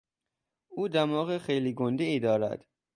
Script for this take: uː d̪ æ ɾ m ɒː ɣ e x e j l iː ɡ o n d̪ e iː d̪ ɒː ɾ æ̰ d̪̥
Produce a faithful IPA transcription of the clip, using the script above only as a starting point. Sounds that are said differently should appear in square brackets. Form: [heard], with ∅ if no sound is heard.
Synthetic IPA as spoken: uː d̪ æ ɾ m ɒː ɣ e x e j l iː ɡ o n d̪ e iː d̪ ɒː ɾ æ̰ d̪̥